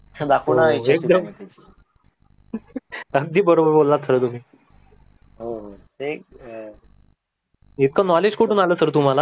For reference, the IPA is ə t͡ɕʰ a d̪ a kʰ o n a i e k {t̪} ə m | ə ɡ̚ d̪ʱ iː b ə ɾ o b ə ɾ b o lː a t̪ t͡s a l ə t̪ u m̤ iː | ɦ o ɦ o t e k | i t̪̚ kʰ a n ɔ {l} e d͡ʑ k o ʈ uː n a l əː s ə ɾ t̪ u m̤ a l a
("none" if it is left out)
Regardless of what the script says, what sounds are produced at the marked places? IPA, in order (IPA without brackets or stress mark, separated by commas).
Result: d̪, l